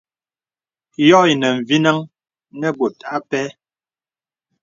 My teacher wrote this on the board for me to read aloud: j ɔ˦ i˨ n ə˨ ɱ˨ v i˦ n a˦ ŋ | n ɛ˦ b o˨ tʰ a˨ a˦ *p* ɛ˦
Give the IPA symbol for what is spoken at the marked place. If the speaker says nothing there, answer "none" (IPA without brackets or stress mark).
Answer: p